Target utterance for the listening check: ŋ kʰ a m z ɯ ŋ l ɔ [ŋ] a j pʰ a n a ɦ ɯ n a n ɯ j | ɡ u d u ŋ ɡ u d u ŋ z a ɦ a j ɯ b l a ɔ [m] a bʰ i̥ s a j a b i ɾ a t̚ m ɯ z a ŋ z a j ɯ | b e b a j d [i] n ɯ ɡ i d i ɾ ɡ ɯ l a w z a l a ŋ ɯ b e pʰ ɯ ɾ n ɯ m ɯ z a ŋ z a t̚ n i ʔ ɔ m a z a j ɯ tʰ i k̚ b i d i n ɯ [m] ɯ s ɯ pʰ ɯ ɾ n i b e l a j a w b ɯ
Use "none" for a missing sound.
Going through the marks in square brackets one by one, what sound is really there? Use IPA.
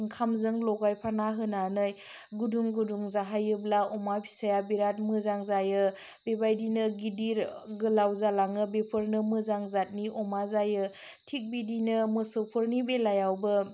ɡ, m, i, m

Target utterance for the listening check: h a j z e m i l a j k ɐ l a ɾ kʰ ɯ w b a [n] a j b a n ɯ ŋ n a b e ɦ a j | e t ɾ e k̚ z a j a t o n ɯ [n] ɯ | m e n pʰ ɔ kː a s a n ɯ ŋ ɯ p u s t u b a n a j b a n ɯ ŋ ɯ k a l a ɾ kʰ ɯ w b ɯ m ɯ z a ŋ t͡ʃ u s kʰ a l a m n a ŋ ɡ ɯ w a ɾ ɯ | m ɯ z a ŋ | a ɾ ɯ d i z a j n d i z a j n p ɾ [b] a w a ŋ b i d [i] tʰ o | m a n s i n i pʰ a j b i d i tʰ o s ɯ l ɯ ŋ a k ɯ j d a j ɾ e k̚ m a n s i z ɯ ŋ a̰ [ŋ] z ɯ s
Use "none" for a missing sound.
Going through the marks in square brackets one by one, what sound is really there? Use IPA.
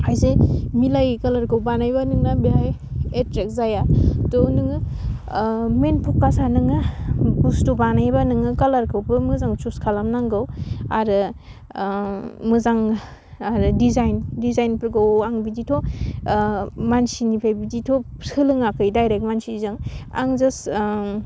n, ŋ, ɡ, i, ŋ

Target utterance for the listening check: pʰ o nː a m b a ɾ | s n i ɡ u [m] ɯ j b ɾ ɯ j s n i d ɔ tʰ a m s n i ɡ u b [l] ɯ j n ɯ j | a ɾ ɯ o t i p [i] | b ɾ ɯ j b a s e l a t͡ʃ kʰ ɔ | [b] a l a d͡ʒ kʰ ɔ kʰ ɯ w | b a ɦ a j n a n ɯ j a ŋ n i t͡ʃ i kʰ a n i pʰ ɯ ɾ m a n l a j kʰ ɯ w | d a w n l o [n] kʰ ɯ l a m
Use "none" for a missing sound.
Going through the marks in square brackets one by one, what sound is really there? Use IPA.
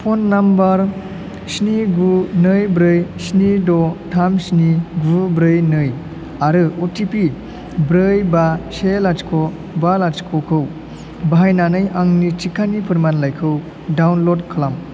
n, ɾ, i, b, d

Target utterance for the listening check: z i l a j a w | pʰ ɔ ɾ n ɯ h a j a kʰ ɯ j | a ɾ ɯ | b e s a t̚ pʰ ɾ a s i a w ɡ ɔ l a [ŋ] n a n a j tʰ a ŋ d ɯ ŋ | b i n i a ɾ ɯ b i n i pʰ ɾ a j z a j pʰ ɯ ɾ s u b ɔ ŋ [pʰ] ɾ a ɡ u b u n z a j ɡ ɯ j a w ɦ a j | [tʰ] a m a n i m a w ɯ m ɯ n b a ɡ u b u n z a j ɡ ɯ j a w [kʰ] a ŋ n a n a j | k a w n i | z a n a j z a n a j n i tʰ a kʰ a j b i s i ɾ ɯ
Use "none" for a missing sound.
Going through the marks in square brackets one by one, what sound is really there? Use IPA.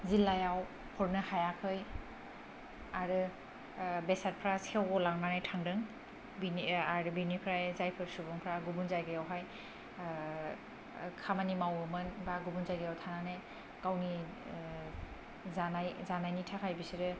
ŋ, pʰ, kʰ, tʰ

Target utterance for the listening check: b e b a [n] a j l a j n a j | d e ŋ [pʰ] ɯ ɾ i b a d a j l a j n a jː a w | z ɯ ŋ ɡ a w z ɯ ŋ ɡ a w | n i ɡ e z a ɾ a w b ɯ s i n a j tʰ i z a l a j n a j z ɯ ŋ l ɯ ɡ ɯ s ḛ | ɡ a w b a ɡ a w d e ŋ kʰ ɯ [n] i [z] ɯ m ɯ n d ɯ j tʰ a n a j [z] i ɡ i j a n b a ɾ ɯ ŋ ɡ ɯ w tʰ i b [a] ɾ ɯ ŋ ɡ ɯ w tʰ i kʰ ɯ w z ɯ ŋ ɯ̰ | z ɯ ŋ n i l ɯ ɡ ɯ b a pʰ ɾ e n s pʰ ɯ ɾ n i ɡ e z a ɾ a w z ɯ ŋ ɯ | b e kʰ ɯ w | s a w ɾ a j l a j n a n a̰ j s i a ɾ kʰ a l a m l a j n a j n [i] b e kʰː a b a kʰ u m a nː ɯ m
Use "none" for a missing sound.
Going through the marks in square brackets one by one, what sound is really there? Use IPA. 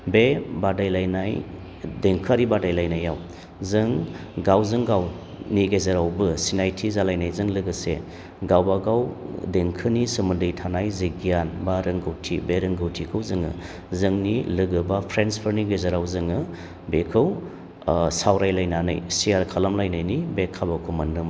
d, kʰ, n, s, z, e, i

